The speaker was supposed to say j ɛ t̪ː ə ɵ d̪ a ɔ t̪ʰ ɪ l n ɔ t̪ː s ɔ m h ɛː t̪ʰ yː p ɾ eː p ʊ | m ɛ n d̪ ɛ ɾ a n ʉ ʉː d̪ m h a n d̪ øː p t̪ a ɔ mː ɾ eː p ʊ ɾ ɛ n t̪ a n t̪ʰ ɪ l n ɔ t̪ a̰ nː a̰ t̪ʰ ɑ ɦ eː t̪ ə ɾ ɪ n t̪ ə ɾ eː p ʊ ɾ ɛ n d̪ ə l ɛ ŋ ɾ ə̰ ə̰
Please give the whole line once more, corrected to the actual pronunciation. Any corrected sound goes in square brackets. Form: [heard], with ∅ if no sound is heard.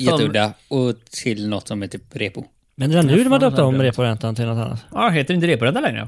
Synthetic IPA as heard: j ɛ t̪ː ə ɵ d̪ a ɔ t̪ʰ ɪ l n ɔ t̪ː s ɔ m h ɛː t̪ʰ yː p ɾ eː p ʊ | m ɛ n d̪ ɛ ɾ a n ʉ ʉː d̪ m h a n d̪ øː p t̪ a ɔ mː ɾ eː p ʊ ɾ ɛ n t̪ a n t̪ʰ ɪ l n ɔ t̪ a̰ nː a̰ [t̪] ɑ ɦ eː t̪ ə ɾ ɪ n t̪ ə ɾ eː p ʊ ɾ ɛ n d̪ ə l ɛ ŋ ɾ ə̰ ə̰